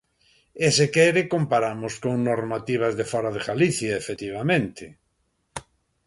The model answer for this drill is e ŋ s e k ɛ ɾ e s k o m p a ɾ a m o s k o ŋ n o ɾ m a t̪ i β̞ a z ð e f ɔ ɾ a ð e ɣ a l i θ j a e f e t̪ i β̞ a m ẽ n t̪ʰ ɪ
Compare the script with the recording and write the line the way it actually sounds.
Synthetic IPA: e s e k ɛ ɾ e k o m p a ɾ a m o s k o ŋ n o ɾ m a t̪ i β̞ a z ð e f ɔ ɾ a ð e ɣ a l i θ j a e f e t̪ i β̞ a m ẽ n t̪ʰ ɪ